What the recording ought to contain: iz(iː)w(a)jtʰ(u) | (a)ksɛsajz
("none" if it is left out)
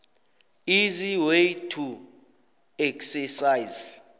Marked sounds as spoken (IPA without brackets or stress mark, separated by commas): i, e, u, ɛ